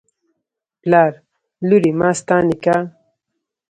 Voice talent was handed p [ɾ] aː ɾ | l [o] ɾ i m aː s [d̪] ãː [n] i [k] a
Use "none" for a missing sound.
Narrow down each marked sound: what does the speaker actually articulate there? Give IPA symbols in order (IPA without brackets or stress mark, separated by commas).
l, u, t̪, n, k